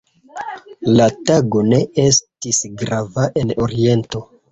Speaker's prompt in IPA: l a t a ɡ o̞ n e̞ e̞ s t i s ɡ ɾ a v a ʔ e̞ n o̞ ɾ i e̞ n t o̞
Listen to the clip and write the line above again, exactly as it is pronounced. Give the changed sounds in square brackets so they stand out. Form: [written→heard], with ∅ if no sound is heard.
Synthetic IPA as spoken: l a t a ɡ o̞ n e̞ e̞ s t i s ɡ ɾ a v a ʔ e̞ n o̞ ɾ i e̞ n t o̞